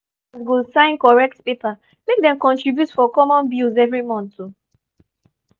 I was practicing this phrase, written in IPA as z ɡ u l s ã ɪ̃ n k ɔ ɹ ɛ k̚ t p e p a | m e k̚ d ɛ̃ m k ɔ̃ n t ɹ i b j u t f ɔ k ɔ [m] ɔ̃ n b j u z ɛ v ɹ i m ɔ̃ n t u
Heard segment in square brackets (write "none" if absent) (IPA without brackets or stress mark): m